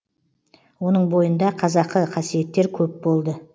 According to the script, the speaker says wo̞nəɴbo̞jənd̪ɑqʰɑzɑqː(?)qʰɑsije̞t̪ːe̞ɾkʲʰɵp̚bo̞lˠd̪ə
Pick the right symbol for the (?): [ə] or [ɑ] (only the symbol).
ə